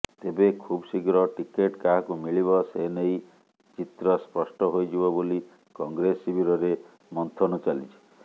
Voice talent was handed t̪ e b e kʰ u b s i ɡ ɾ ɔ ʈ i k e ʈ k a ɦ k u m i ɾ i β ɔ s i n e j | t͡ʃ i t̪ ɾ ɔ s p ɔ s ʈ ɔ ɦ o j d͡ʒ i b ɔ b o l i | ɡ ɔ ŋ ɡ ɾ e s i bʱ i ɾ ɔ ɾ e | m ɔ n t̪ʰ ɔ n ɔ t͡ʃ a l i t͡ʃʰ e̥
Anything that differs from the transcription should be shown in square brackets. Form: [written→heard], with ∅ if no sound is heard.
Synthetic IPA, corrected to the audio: t̪ e b e kʰ u b s i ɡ ɾ ɔ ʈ i k e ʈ k a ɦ k u m i [ɾ→ɭ] i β ɔ s [i→e] n e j | t͡ʃ i t̪ ɾ ɔ s p ɔ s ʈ ɔ ɦ o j d͡ʒ i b ɔ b o l i | [ɡ→k] ɔ ŋ ɡ ɾ e s i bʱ i ɾ ɔ ɾ e | m ɔ n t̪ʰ ɔ n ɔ t͡ʃ a l i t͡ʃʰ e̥